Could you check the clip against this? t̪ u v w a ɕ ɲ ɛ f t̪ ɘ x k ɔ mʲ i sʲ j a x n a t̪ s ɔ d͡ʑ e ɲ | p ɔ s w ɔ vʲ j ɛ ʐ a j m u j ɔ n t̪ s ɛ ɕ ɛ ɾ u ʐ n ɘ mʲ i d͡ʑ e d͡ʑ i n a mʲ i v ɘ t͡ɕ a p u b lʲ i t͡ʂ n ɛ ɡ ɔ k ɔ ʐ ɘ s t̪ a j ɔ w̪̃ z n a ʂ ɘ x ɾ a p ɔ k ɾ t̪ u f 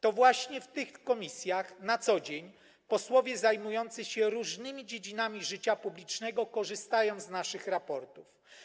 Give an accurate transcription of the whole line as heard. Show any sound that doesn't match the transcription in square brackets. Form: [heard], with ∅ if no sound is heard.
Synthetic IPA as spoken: t̪ [ɔ] v w a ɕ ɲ ɛ f t̪ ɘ x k ɔ mʲ i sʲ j a x n a t̪ s ɔ d͡ʑ e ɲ | p ɔ s w ɔ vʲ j ɛ [z] a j m u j ɔ n t̪ s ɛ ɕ ɛ ɾ u ʐ n ɘ mʲ i d͡ʑ e d͡ʑ i n a mʲ i [ʐ] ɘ t͡ɕ a p u b lʲ i t͡ʂ n ɛ ɡ ɔ k ɔ ʐ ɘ s t̪ a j ɔ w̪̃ z n a ʂ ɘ x ɾ a p ɔ [∅] ɾ t̪ u f

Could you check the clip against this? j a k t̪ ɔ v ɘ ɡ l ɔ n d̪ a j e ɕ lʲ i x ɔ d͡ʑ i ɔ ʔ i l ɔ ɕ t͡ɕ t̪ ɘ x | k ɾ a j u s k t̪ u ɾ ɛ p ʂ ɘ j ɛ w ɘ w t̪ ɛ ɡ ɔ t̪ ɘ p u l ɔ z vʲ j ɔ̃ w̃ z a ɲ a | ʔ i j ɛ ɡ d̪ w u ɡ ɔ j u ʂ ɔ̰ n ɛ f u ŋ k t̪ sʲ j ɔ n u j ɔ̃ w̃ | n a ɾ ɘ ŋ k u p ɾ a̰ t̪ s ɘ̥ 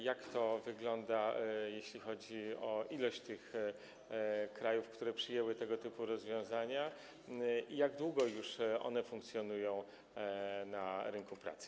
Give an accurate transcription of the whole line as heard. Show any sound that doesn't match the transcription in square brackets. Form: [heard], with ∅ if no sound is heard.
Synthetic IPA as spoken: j a k t̪ ɔ v ɘ ɡ l ɔ n d̪ a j e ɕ lʲ i x ɔ d͡ʑ i ɔ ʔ i l ɔ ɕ t͡ɕ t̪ ɘ x | k ɾ a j u [f] k t̪ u ɾ ɛ p ʂ ɘ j ɛ w ɘ [∅] t̪ ɛ ɡ ɔ t̪ ɘ p u [ɾ] ɔ z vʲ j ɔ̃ w̃ z a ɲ a | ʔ i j [a] ɡ d̪ w u ɡ ɔ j u ʂ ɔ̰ n ɛ f u ŋ k t̪ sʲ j ɔ n u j ɔ̃ w̃ | n a ɾ ɘ ŋ k u p ɾ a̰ t̪ s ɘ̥

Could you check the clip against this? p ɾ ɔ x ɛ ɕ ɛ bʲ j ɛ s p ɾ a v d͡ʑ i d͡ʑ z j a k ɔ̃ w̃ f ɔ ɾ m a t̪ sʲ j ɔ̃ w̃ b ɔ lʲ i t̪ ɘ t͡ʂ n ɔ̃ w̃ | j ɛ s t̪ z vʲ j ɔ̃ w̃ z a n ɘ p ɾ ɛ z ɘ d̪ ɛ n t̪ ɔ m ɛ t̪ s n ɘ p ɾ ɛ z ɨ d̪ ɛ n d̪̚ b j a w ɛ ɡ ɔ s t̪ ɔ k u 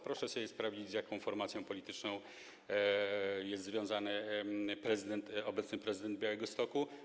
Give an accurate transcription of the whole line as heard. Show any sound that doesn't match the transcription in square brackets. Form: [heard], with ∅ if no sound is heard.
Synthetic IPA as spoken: p ɾ ɔ [ʂ] ɛ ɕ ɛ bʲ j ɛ s p ɾ a v d͡ʑ i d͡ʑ z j a k ɔ̃ w̃ f ɔ ɾ m a t̪ sʲ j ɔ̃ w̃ [p] ɔ lʲ i t̪ ɘ t͡ʂ n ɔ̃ w̃ | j ɛ s t̪ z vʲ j ɔ̃ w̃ z a n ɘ p ɾ ɛ z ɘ d̪ ɛ n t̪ ɔ [b] ɛ t̪ s n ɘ p ɾ ɛ z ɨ d̪ ɛ n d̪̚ b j a w ɛ ɡ ɔ s t̪ ɔ k u

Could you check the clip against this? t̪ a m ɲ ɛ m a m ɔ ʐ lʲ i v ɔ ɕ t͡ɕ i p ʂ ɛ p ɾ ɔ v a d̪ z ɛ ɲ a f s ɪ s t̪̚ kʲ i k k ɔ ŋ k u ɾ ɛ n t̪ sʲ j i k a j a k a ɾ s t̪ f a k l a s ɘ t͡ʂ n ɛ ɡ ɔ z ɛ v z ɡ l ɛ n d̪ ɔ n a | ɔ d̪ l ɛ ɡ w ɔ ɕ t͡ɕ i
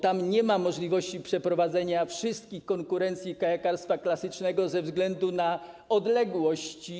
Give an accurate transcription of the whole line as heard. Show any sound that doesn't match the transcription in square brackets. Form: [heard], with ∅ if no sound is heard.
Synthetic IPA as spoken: t̪ a m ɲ ɛ m a m ɔ ʐ lʲ i v ɔ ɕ t͡ɕ i p ʂ ɛ p ɾ ɔ v a d̪ z ɛ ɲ a f [ʂ] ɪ s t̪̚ kʲ i [x] k ɔ ŋ k u ɾ ɛ n t̪ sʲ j i k a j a k a ɾ s t̪ f a k l a s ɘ t͡ʂ n ɛ ɡ ɔ z ɛ v z ɡ l ɛ n d̪ [u] n a | ɔ d̪ l ɛ ɡ w ɔ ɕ t͡ɕ i

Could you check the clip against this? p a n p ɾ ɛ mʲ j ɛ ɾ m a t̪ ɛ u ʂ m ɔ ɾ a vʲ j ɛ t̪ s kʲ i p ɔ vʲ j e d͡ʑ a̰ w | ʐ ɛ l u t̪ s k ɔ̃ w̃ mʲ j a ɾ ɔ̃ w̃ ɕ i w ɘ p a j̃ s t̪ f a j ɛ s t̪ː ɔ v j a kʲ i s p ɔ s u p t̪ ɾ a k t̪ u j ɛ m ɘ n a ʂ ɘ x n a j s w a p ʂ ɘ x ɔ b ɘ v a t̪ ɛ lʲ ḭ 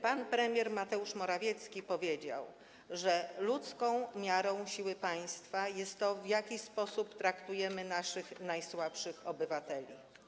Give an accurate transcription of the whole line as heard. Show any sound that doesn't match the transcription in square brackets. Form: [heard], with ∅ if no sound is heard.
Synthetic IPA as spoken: p a n p ɾ ɛ mʲ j ɛ ɾ m a t̪ ɛ u ʂ m ɔ ɾ a vʲ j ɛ t̪ s kʲ i p ɔ vʲ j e d͡ʑ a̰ w | ʐ ɛ l u t̪ s k ɔ̃ w̃ mʲ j a ɾ ɔ̃ w̃ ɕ i w ɘ p a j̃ s t̪ f a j ɛ s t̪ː ɔ v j a kʲ i s p ɔ s u p t̪ ɾ a k t̪ u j ɛ m ɘ n a ʂ ɘ x n a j s w a p ʂ ɘ x ɔ b ɘ v a t̪ ɛ lʲ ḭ

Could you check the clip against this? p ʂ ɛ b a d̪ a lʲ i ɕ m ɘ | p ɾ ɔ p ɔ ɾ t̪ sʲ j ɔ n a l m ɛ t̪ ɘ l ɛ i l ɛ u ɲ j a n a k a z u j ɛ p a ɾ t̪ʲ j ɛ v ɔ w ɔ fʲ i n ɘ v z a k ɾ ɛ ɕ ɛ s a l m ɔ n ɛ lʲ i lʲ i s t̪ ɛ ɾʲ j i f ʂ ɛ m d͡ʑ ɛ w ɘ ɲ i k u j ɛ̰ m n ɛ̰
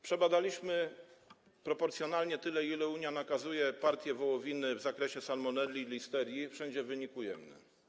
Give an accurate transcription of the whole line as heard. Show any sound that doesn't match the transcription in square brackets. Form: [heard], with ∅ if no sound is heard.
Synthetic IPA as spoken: p ʂ ɛ b a d̪ a lʲ i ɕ m ɘ | p ɾ ɔ p ɔ ɾ t̪ sʲ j ɔ n a l [ɲ] ɛ t̪ ɘ l ɛ i l ɛ u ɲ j a n a k a z u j ɛ p a ɾ t̪ʲ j ɛ v ɔ w ɔ [vʲ] i n ɘ v z a k ɾ ɛ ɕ ɛ s a l m ɔ n ɛ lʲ i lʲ i s t̪ ɛ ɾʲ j i f ʂ ɛ [ɲ] d͡ʑ ɛ [v] ɘ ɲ i k u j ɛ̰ m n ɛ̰

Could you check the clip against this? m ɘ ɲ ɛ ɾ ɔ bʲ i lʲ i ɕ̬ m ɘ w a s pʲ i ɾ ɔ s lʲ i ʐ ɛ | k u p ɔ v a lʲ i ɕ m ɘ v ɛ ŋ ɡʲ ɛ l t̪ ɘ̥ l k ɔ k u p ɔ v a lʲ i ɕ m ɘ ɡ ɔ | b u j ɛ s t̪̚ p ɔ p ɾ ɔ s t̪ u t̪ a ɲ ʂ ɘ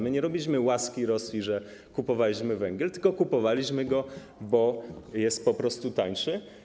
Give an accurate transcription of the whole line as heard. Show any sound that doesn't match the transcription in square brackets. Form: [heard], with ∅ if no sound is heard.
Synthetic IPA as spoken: m ɘ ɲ ɛ ɾ ɔ bʲ i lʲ i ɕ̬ m ɘ w a s [kʲ] i ɾ ɔ s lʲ i ʐ ɛ | k u p ɔ v a lʲ i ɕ m ɘ v ɛ ŋ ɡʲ ɛ l t̪ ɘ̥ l k ɔ k u p ɔ v a lʲ i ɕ m ɘ ɡ ɔ | b [ɔ] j ɛ s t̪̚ p ɔ p ɾ ɔ s t̪ u t̪ a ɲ ʂ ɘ

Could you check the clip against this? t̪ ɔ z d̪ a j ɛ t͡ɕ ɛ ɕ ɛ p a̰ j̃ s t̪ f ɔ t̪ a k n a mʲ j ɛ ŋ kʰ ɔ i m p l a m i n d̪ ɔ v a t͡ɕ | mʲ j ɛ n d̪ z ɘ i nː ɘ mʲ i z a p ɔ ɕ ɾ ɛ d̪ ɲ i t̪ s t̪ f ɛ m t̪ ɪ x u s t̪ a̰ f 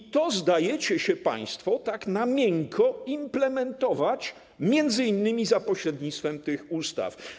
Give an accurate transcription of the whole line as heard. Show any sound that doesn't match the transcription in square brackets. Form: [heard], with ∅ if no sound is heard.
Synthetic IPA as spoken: t̪ ɔ z d̪ a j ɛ t͡ɕ ɛ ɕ ɛ p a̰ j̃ s t̪ f ɔ t̪ a k n a mʲ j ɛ ŋ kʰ ɔ i m p l [ɛ] m [ɛ] n [t̪] ɔ v a t͡ɕ | mʲ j ɛ n d̪ z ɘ i nː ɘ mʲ i z a p ɔ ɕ ɾ ɛ d̪ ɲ i t̪ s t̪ f ɛ m t̪ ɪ x u s t̪ a̰ f

